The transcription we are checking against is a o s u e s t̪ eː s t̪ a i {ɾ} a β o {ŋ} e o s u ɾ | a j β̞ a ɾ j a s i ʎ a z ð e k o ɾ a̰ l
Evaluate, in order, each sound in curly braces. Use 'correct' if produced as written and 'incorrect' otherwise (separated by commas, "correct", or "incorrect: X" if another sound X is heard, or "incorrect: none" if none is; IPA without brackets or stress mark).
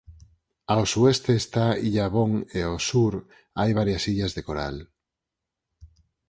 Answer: incorrect: ʎ, correct